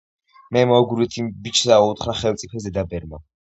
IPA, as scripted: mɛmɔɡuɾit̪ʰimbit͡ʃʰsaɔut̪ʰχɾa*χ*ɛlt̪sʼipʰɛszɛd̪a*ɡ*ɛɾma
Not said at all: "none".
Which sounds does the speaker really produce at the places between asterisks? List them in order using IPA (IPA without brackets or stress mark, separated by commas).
χ, b